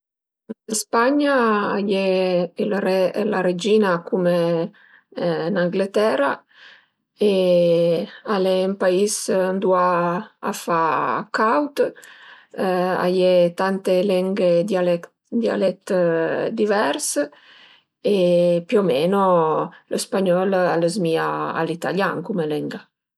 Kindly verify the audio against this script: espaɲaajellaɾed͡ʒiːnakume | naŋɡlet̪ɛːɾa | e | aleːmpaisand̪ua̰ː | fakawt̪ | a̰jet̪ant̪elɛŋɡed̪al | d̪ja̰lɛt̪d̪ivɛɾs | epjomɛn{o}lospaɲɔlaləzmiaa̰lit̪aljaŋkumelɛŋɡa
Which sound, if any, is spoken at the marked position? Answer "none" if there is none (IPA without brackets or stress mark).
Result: o